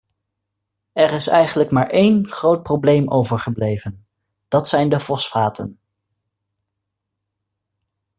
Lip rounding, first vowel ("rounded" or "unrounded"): unrounded